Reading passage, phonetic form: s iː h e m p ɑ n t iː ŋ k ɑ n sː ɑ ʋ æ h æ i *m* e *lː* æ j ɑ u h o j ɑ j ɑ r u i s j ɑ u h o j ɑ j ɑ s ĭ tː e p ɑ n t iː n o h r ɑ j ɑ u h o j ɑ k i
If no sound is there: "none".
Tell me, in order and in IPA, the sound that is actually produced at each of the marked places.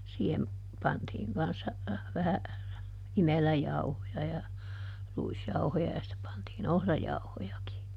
m, l

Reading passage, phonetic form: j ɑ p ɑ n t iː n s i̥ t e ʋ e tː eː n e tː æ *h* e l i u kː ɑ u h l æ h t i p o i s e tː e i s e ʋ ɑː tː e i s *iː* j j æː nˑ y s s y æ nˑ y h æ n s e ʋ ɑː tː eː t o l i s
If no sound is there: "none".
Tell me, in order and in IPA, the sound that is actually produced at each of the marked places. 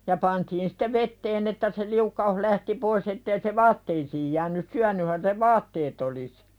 s, iː

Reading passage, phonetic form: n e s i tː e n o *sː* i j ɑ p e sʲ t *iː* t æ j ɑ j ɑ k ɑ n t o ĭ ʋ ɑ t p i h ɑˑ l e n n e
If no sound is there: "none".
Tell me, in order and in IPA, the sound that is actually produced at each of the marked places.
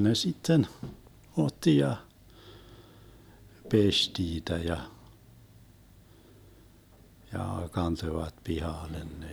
tː, iː

